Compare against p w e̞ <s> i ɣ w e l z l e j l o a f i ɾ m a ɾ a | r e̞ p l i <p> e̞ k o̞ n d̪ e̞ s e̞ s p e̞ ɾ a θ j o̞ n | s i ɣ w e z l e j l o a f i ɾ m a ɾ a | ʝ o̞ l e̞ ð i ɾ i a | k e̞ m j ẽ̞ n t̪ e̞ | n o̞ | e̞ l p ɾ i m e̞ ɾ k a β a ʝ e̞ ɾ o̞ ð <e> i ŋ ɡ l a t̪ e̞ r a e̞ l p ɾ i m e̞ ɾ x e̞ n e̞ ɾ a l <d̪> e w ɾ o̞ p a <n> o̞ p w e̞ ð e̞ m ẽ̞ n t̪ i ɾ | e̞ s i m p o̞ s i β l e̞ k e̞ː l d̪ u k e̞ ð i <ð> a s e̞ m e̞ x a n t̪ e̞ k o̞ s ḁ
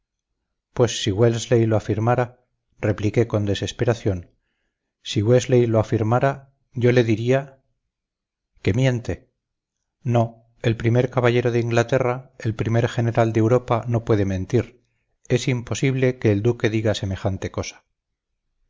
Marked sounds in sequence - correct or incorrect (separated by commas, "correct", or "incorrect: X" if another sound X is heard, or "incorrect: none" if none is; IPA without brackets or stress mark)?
incorrect: sː, incorrect: k, correct, correct, correct, incorrect: ɣ